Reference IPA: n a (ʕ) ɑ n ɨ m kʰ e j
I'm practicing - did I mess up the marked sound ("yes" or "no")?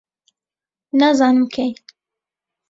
yes